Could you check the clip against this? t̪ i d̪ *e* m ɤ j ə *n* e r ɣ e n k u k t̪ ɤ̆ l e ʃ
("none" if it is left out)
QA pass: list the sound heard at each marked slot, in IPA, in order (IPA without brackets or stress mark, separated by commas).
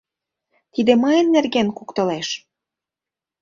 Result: e, nː